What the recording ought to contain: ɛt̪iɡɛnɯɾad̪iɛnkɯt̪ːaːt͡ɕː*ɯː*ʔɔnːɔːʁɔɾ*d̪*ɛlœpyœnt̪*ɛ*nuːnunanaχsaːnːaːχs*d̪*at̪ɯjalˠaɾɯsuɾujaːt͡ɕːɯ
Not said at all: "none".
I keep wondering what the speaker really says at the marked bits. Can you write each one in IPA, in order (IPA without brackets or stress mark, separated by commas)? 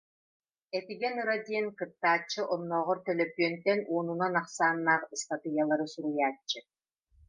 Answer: ɯ, t̪, ɛ, t̪